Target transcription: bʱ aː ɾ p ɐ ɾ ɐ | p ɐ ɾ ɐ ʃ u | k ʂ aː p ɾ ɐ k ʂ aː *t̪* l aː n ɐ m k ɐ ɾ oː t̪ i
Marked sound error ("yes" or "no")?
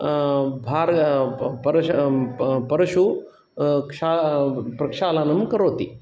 yes